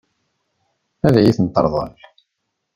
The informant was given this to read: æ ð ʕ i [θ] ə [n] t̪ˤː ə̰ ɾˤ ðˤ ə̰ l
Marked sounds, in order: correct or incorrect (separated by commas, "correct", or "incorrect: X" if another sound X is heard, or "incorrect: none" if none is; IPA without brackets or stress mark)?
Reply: correct, correct